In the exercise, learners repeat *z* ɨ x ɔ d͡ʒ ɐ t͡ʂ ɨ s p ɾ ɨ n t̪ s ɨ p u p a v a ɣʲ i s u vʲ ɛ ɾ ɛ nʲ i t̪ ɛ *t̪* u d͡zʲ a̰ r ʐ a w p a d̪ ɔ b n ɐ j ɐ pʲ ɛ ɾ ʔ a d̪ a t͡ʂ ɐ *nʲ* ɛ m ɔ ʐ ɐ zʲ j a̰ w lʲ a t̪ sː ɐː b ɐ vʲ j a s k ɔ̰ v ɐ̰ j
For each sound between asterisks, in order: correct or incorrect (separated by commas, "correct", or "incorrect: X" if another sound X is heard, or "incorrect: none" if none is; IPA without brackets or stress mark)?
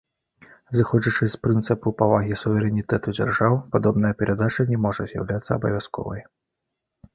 correct, correct, correct